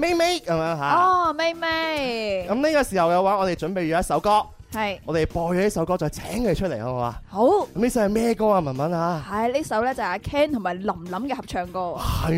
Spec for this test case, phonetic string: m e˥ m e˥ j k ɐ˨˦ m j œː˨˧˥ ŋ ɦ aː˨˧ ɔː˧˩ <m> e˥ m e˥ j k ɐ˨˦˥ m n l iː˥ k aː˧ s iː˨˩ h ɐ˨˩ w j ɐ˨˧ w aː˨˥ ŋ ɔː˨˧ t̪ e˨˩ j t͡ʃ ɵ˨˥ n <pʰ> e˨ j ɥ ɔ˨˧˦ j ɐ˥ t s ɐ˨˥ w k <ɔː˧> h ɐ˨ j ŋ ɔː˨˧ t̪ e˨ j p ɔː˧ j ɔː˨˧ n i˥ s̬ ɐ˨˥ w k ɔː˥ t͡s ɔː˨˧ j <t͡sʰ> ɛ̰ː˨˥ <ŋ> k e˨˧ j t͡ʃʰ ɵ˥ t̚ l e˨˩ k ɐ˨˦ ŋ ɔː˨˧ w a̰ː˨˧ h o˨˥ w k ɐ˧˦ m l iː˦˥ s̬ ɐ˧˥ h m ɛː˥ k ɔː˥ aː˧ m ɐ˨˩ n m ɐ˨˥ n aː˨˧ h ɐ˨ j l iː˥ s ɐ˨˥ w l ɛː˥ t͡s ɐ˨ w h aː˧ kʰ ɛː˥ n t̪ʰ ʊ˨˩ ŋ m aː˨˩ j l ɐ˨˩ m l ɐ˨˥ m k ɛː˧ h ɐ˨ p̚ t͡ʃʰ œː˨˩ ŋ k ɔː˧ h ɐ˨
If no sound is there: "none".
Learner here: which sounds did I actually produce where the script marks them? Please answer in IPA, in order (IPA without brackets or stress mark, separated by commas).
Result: m, p, ɔː˥, t͡sʰ, ŋ